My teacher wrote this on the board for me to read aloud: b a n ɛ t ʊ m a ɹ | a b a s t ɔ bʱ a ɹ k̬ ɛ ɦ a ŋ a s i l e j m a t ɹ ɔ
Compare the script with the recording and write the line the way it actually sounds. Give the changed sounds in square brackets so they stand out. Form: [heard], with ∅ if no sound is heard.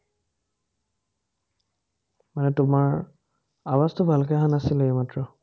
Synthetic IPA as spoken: [m] a n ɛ t ʊ m a ɹ | a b a s t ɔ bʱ a [l] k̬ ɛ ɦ a [n] a s i l e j m a t ɹ ɔ